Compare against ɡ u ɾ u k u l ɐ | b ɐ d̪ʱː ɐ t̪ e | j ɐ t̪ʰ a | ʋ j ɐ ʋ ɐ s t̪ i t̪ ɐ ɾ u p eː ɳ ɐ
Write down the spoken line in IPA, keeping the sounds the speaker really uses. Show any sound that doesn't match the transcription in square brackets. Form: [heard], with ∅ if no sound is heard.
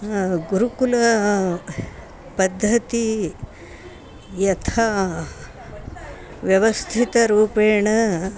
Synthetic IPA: ɡ u ɾ u k u l ɐ | [p] ɐ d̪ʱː ɐ t̪ [i] | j ɐ t̪ʰ a | ʋ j ɐ ʋ ɐ s [t̪ʰ] i t̪ ɐ ɾ [uː] p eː ɳ ɐ